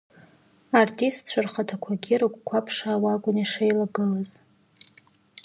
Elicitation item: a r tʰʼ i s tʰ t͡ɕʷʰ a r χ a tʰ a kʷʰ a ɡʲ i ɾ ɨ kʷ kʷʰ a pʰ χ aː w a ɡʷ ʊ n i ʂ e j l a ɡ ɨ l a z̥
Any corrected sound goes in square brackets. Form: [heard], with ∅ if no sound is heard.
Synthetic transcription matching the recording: a r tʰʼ i s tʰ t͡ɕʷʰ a r χ a tʰ a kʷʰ a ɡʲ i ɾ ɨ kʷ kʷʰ a pʰ [ʂ] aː w a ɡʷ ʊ n i ʂ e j l a ɡ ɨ l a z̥